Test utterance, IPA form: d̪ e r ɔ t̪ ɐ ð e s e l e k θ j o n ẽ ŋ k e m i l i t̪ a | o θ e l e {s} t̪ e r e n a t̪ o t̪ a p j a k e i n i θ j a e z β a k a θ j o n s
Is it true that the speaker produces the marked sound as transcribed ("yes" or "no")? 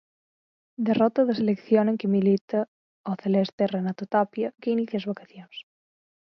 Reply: yes